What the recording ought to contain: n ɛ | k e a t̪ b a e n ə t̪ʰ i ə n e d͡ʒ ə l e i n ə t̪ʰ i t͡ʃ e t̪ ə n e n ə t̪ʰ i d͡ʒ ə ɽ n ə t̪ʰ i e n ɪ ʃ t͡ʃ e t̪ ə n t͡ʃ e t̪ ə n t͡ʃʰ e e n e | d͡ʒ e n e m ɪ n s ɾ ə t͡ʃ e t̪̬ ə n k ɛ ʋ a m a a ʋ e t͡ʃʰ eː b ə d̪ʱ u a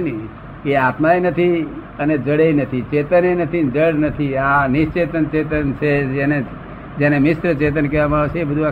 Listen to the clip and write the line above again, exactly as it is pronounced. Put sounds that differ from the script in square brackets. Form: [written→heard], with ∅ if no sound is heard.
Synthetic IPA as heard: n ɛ | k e a t̪ [b→m] a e n ə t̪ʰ i ə n e d͡ʒ ə [l→ɽ] e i n ə t̪ʰ i t͡ʃ e t̪ ə n e n ə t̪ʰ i d͡ʒ ə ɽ n ə t̪ʰ i [e→a] n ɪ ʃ t͡ʃ e t̪ ə n t͡ʃ e t̪ ə n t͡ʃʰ e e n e | d͡ʒ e n e m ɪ [n→∅] s ɾ ə t͡ʃ e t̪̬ ə n k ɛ ʋ a m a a ʋ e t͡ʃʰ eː b ə d̪ʱ u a